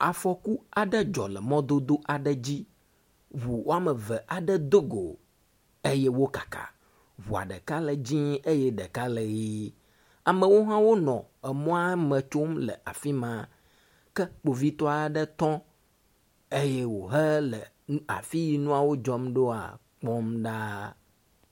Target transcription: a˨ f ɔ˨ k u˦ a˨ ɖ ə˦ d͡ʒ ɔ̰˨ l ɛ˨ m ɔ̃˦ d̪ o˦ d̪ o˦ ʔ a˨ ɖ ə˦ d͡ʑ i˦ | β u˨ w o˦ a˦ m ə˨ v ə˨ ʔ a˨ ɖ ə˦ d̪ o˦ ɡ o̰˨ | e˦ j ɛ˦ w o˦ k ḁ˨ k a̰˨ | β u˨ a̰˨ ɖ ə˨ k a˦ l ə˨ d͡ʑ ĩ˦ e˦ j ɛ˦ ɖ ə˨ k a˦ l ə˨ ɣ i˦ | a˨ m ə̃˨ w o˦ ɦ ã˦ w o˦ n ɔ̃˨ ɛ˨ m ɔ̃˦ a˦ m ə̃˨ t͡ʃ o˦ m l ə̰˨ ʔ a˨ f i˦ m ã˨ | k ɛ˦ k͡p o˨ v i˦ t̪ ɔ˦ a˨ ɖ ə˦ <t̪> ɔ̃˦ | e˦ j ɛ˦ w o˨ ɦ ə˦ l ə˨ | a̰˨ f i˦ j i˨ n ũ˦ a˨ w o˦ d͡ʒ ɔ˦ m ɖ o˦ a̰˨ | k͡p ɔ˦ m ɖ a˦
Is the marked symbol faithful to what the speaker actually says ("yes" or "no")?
yes